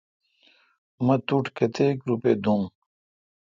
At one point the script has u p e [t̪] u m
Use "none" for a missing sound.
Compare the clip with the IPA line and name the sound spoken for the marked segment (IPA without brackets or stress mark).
d̪